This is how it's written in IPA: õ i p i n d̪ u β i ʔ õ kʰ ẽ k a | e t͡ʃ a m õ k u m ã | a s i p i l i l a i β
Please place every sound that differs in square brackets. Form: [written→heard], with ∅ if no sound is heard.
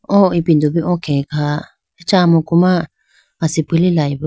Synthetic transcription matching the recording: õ i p i n d̪ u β i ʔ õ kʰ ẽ k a | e t͡ʃ a m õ k u m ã | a s i p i l i l a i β

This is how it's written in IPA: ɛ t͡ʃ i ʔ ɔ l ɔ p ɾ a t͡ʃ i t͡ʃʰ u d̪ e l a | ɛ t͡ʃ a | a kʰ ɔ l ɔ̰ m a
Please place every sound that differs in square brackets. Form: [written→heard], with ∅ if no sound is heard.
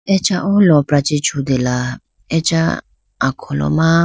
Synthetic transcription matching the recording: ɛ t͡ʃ [i→a] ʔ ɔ l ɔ p ɾ a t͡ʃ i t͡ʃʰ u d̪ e l a | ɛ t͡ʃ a | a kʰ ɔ l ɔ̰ m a

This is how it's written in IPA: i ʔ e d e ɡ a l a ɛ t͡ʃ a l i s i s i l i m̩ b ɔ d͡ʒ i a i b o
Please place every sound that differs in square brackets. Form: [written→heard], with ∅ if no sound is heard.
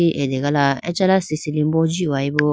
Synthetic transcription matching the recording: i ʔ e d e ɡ a l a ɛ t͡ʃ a l [i→a] s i s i l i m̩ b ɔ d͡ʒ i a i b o

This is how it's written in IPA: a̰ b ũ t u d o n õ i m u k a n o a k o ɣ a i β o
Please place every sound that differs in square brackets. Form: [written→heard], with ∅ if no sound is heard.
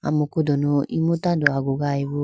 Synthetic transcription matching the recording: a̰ [b→m] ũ [t→k] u d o n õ i m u [k→t] a [n→d] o a [k→ɡ] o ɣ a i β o

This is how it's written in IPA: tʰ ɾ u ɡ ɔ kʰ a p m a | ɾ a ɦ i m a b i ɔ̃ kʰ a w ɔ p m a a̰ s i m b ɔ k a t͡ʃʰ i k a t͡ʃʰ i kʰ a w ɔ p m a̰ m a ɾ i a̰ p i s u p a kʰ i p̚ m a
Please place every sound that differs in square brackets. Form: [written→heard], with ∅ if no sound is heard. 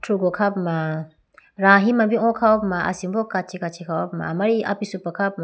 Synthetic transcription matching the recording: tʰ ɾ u ɡ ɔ kʰ a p m a | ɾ a ɦ i m a b i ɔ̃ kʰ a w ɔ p m a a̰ s i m b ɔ k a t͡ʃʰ i k a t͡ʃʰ i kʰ a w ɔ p m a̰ m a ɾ i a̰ p i s u p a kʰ [i→a] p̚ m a

